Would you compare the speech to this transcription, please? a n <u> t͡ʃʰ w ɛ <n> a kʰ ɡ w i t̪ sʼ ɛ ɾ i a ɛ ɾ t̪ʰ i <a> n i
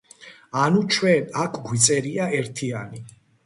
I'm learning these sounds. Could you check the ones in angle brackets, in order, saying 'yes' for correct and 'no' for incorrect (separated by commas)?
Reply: yes, yes, yes